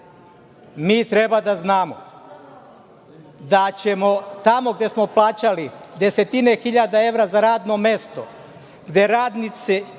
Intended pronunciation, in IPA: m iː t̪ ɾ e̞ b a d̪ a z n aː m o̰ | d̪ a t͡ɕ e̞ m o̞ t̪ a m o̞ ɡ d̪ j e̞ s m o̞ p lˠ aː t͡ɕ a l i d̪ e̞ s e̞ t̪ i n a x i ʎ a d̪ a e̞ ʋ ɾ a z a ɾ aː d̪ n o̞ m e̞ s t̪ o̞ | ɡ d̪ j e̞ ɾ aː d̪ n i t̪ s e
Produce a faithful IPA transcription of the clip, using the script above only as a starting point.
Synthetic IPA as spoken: m iː t̪ ɾ e̞ b a d̪ a z n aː m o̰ | d̪ a t͡ɕ e̞ m o̞ t̪ a m o̞ ɡ d̪ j e̞ s m o̞ p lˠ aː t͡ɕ a l i d̪ e̞ s e̞ t̪ i n e x i ʎ a d̪ a e̞ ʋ ɾ a z a ɾ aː d̪ n o̞ m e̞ s t̪ o̞ | ɡ d̪ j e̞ ɾ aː d̪ n i t̪ s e